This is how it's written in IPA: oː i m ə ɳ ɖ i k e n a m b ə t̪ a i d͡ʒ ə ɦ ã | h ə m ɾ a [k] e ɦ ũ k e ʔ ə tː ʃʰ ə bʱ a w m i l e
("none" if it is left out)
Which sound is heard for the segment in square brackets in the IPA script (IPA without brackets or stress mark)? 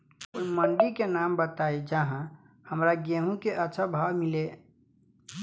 ɡ